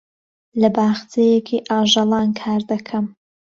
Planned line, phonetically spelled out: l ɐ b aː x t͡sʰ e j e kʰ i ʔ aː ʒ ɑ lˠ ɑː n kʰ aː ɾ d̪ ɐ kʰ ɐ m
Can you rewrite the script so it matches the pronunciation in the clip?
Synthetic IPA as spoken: l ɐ b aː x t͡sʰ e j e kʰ i ʔ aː ʒ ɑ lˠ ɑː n kʰ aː ɾ d̪ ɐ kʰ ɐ m